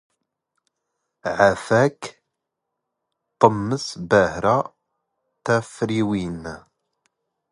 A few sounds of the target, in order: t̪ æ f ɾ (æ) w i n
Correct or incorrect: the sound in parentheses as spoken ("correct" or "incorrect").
incorrect